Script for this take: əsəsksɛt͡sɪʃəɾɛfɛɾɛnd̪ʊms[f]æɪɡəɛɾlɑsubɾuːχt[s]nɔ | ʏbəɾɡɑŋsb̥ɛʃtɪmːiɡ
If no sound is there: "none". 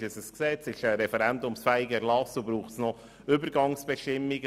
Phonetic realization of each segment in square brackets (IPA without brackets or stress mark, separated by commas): f, s